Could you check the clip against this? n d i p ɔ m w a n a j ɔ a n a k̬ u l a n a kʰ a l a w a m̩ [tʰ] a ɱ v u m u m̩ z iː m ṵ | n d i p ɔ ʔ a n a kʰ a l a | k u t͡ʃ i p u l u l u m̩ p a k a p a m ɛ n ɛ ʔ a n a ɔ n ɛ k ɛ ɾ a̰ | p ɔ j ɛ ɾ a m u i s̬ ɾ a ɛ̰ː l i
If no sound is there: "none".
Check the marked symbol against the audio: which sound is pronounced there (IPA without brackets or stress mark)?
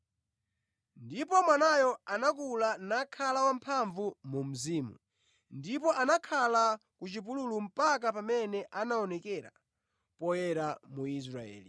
pʰ